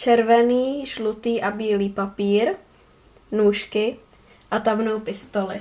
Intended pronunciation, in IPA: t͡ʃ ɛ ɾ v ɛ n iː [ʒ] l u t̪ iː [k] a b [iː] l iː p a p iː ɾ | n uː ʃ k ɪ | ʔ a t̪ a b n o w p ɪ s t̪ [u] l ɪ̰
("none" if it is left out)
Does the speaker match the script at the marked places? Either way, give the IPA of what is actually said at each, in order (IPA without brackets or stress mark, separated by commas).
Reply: ʒ, ʔ, iː, o